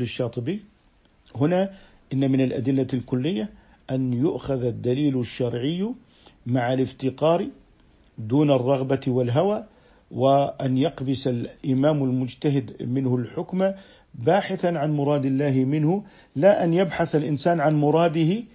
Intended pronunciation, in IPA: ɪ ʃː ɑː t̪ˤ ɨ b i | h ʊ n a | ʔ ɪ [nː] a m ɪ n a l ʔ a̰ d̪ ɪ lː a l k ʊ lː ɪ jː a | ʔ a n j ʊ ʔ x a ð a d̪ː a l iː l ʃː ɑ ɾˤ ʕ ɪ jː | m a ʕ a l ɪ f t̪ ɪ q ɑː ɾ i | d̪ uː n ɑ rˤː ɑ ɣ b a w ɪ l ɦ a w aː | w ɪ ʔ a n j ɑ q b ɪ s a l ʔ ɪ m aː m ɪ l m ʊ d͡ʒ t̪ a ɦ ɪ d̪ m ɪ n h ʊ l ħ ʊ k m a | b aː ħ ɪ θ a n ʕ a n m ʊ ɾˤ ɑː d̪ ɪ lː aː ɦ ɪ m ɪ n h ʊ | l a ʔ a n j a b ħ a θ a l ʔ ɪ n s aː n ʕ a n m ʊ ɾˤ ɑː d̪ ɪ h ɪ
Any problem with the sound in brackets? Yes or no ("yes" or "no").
no